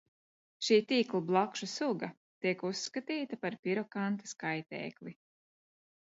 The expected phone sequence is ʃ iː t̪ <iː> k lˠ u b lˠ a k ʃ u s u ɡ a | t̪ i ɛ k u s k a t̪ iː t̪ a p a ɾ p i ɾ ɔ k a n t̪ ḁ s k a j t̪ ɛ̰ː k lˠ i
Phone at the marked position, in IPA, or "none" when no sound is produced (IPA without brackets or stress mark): iː